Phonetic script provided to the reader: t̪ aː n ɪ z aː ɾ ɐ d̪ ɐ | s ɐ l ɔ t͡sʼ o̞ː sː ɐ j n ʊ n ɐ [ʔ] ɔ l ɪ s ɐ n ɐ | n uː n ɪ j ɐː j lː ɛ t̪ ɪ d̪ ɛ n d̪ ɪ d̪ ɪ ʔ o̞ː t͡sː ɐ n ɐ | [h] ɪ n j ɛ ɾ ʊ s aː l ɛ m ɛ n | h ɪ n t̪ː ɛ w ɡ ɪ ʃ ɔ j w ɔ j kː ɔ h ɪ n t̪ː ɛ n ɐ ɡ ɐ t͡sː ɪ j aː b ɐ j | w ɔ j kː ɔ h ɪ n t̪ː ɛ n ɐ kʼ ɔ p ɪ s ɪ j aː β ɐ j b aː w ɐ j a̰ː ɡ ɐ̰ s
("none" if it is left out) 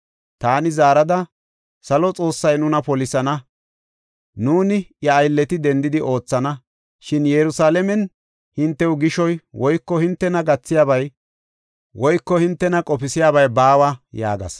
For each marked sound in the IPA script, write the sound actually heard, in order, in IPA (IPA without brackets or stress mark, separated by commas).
p, ʃ